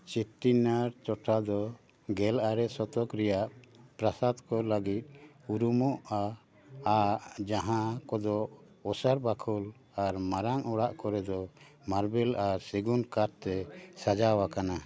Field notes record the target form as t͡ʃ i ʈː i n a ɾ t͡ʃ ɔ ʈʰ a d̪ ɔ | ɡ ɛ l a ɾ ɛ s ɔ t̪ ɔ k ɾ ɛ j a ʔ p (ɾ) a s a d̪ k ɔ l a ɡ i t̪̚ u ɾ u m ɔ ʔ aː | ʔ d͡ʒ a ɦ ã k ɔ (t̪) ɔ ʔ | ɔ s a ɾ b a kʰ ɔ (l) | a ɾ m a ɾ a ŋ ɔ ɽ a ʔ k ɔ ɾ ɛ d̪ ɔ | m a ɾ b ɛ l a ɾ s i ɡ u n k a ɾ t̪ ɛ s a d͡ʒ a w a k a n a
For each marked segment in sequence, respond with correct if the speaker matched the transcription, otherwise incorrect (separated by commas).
correct, incorrect, correct